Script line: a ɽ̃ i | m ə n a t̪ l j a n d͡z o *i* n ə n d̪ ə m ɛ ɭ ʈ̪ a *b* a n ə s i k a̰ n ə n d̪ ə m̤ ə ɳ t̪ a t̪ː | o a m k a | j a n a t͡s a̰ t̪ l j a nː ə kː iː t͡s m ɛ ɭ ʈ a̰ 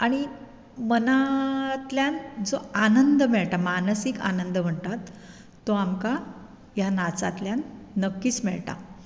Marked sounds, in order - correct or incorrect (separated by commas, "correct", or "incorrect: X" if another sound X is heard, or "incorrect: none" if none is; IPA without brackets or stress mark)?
incorrect: a, incorrect: m